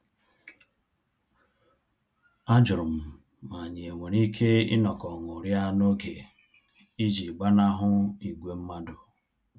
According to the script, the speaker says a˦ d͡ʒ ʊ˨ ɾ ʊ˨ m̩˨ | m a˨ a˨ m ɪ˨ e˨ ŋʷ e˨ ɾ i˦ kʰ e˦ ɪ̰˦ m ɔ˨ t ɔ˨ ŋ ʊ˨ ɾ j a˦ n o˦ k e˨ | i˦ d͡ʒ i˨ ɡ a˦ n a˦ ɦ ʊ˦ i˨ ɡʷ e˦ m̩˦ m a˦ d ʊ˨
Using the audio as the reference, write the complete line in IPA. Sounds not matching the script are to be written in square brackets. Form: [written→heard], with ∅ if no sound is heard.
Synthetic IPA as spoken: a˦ d͡ʒ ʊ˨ ɾ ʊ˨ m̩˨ | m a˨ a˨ [m→ɲ] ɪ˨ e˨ ŋʷ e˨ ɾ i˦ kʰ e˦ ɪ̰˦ [m→n] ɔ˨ [t→k] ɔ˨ ŋ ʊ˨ ɾ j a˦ n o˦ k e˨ | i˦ d͡ʒ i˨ [ɡ→ɡ͡b] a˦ n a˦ ɦ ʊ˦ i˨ ɡʷ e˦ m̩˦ m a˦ d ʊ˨